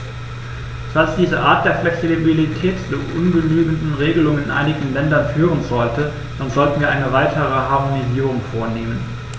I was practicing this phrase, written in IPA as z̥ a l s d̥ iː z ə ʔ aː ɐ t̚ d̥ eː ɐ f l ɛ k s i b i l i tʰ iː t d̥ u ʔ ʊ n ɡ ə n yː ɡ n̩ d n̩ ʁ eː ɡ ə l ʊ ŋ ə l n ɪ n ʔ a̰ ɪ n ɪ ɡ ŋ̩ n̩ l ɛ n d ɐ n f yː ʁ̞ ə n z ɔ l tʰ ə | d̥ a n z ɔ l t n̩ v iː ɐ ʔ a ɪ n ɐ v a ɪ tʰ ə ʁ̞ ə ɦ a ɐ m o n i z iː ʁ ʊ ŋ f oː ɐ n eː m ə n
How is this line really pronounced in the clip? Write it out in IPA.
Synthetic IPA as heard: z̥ a l s d̥ iː z ə ʔ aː ɐ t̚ d̥ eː ɐ f l ɛ k s i b i l i tʰ ɛː t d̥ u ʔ ʊ n ɡ ə n yː ɡ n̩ d n̩ ʁ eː ɡ ə l ʊ ŋ ə n ɪ n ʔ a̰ ɪ n ɪ ɡ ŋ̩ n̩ l ɛ n d ɐ n f yː ʁ̞ ə n z ɔ l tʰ ə | d̥ a n z ɔ l t n̩ v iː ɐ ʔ a ɪ n ə v a ɪ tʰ ə ʁ̞ ə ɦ a ɐ m o n i z iː ʁ ʊ ŋ f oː ɐ n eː m ə n